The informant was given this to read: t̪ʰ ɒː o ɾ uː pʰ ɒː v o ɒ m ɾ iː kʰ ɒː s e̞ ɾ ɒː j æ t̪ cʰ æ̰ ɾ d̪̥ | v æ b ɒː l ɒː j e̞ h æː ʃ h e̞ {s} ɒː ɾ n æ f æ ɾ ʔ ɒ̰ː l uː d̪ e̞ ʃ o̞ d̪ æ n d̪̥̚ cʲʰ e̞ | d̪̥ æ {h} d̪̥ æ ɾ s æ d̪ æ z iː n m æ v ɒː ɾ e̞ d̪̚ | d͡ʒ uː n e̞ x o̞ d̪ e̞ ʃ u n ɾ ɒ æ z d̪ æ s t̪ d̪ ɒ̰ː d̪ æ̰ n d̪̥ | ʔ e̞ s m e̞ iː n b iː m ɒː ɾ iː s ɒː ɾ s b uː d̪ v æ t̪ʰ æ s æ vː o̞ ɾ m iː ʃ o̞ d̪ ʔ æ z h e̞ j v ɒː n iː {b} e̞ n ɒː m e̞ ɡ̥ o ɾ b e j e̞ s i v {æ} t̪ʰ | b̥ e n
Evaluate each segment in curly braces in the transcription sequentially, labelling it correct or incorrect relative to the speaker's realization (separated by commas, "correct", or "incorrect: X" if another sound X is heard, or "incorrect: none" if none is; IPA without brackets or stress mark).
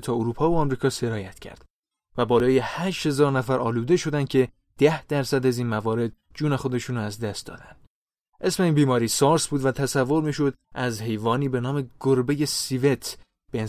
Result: incorrect: z, correct, correct, incorrect: e